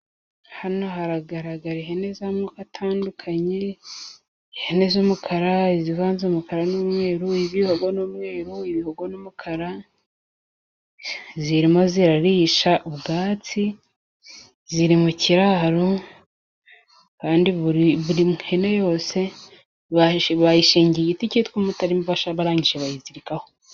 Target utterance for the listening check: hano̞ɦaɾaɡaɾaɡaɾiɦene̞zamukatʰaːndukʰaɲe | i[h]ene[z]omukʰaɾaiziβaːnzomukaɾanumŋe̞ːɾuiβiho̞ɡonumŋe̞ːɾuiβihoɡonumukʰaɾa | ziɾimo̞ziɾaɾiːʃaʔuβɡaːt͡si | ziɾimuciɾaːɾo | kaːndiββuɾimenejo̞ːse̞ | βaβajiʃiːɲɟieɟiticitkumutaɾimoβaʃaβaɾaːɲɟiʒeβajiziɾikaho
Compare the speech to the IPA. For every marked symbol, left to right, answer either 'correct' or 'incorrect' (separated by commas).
correct, correct